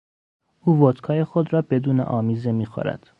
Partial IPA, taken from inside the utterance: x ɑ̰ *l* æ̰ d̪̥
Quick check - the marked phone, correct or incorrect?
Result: incorrect